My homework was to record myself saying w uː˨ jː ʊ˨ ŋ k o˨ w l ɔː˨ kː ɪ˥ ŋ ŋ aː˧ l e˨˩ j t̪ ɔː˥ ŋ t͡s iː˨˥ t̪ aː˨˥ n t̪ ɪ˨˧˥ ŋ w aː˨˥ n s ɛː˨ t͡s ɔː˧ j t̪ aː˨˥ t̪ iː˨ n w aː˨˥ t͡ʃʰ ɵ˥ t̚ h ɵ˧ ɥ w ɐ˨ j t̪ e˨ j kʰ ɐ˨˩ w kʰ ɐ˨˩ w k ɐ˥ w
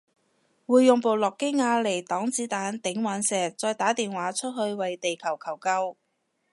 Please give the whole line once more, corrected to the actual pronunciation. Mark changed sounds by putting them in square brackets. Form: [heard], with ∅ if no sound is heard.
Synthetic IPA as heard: w uː˨ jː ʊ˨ ŋ [p] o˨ w l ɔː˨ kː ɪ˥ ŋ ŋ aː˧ l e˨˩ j t̪ [ɔː˨˥] ŋ t͡s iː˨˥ t̪ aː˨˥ n t̪ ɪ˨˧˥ ŋ w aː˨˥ n s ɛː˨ t͡s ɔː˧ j t̪ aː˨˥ t̪ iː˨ n w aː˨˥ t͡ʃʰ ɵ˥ t̚ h ɵ˧ ɥ w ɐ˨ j t̪ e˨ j kʰ ɐ˨˩ w kʰ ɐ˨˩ w k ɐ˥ w